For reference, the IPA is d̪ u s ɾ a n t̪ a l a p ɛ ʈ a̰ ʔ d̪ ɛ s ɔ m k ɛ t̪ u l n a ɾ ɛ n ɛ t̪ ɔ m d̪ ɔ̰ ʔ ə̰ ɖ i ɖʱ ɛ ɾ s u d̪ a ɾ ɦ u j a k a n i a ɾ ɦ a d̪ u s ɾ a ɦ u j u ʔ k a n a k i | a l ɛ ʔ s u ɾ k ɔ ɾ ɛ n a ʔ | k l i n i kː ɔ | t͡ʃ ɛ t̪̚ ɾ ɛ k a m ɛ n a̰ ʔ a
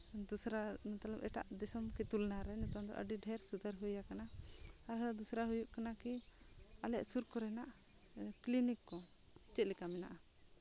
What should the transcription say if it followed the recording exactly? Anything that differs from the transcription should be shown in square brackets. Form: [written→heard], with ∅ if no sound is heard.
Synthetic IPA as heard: d̪ u s ɾ a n t̪ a l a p ɛ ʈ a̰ ʔ d̪ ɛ s ɔ m k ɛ t̪ u l n a ɾ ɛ n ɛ t̪ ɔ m d̪ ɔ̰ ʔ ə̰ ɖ i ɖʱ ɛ ɾ s u d̪ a ɾ ɦ u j a k a n [i→a] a ɾ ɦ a d̪ u s ɾ a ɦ u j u ʔ k a n a k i | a l ɛ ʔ s u ɾ k ɔ ɾ ɛ n a ʔ | k l i n i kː ɔ | t͡ʃ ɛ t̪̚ [ɾ→l] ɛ k a m ɛ n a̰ ʔ a

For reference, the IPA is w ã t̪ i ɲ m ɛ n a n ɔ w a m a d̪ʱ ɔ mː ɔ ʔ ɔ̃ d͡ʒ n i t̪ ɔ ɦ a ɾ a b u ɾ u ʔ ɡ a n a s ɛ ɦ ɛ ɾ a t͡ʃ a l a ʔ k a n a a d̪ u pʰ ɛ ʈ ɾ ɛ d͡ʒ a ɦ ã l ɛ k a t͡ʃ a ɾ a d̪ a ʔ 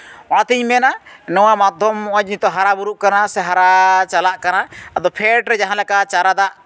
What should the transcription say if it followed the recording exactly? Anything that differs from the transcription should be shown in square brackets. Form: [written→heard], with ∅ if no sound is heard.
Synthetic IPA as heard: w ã t̪ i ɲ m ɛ n a n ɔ w a m a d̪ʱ ɔ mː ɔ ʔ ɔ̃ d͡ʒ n i t̪ ɔ ɦ a ɾ a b u ɾ u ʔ [ɡ→k] a n a s ɛ ɦ [ɛ→a] ɾ a t͡ʃ a l a ʔ k a n a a d̪ [u→ɔ] pʰ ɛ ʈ ɾ ɛ d͡ʒ a ɦ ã l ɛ k a t͡ʃ a ɾ a d̪ a ʔ

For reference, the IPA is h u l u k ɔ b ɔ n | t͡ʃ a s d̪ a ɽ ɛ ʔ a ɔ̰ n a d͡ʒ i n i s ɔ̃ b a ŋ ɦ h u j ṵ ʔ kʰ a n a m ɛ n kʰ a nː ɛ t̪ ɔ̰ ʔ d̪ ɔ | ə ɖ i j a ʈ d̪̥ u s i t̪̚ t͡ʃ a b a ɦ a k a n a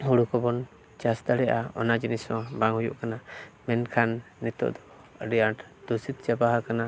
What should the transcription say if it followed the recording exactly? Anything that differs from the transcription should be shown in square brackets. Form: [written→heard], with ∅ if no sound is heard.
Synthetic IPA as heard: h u [l→ɽ] u k ɔ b ɔ n | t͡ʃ a s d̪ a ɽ ɛ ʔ a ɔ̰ n a d͡ʒ i n i s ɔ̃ b a ŋ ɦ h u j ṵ ʔ [kʰ→k] a n a m ɛ n kʰ a nː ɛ t̪ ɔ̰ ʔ d̪ ɔ | ə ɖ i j a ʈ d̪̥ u s i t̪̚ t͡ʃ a b a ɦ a k a n a

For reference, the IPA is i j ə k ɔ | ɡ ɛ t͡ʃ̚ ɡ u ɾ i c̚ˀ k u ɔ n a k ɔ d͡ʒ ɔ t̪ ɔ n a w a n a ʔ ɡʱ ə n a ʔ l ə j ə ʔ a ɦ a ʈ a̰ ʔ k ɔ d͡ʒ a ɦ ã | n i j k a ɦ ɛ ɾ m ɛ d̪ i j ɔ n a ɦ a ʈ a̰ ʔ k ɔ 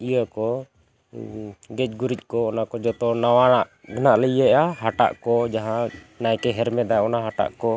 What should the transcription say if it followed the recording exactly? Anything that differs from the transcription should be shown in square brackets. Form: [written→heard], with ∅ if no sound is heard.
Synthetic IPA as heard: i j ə k ɔ | ɡ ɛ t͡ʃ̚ ɡ u ɾ i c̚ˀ k [u→ɔ] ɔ n a k ɔ d͡ʒ ɔ t̪ ɔ n a w a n a ʔ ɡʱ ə n a ʔ l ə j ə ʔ a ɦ a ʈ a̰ ʔ k ɔ d͡ʒ a ɦ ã | n [i→a] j k [a→ɛ] ɦ ɛ ɾ m ɛ d̪ [i→a] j ɔ n a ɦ a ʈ a̰ ʔ k ɔ

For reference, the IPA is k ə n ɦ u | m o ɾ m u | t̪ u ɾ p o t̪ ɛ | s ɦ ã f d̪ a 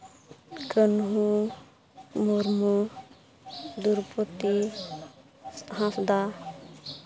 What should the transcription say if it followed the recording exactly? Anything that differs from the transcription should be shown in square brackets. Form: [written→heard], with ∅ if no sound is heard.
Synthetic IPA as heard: k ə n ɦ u | m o ɾ m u | [t̪→d̪] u ɾ p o t̪ [ɛ→i] | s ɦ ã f d̪ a

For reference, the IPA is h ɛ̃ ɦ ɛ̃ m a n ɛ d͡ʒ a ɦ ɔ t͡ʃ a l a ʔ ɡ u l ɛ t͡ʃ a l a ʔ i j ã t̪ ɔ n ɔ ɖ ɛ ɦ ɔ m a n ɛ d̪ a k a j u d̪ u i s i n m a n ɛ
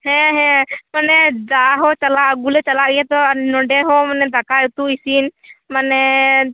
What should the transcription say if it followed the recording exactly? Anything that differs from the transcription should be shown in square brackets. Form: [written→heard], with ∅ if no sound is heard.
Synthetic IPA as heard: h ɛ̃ ɦ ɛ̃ m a n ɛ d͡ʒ a ɦ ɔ t͡ʃ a l a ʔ ɡ u l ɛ t͡ʃ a l a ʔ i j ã t̪ ɔ n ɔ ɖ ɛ ɦ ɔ m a n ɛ d̪ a k a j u [d̪→t̪] u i s i n m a n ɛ

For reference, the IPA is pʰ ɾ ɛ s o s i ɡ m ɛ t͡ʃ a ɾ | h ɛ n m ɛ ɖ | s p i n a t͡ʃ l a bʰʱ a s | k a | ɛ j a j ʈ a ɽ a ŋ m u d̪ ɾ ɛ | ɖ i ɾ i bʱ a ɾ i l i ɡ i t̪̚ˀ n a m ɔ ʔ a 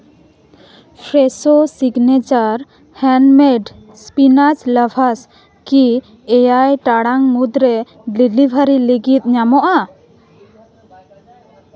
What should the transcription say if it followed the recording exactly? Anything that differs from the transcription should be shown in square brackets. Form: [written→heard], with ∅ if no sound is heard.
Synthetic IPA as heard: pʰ ɾ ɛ s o s i ɡ [m→n] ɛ t͡ʃ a ɾ | h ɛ n m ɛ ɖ | s p i n a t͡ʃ l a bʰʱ a s | k [a→i] | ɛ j a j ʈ a ɽ a ŋ m u d̪ ɾ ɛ | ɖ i [ɾ→l] i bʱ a ɾ i l i ɡ i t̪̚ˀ [n→ɲ] a m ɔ ʔ a

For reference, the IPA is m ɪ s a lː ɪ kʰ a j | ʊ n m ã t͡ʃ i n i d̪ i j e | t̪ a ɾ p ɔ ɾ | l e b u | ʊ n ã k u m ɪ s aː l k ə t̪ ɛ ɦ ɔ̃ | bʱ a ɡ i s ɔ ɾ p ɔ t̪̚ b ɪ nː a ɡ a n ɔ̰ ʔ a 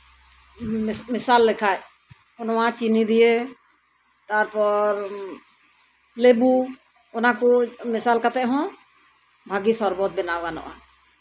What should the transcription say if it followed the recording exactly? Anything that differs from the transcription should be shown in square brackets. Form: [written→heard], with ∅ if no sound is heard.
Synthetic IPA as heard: m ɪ s a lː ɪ kʰ a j | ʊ n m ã t͡ʃ i n i d̪ i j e | t̪ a ɾ p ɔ ɾ | l e b u | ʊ n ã k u m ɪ s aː l k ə t̪ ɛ ɦ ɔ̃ | bʱ a ɡ i s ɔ ɾ [p→b] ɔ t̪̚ b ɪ [nː→n] a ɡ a n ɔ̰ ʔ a

